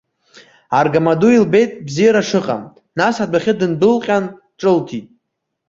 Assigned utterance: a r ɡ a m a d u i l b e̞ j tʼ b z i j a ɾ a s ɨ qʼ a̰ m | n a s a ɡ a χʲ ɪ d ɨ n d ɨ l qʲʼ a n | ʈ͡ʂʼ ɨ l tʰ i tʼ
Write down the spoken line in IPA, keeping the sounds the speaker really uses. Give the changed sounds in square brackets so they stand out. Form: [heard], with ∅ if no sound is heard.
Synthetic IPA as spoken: a r ɡ a m a d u i l b e̞ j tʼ b z i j a ɾ a [ʂ] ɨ qʼ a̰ m | n a s a [d] a χʲ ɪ d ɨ n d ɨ l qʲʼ a n | ʈ͡ʂʼ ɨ l tʰ i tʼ